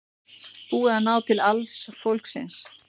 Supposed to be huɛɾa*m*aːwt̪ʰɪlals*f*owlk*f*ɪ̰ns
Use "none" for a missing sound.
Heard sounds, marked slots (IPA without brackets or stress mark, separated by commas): n, f, s